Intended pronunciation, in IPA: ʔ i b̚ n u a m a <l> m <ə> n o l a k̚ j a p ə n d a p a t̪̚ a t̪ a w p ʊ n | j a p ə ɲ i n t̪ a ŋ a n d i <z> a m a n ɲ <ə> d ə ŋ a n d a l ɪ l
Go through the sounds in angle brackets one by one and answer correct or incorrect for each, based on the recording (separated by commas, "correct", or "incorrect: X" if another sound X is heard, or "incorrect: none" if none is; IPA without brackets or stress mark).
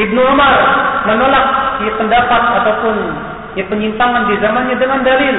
incorrect: r, correct, correct, incorrect: a